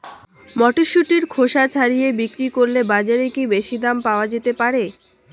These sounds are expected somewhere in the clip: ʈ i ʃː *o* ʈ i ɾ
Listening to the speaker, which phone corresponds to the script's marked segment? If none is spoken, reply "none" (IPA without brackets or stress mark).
u